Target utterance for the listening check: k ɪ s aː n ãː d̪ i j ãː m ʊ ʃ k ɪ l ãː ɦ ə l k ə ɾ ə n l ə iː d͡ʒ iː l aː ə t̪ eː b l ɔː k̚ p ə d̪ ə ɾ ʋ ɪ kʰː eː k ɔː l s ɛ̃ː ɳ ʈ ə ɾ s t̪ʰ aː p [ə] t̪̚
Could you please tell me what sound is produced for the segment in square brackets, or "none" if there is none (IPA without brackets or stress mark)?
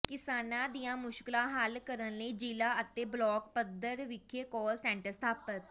ə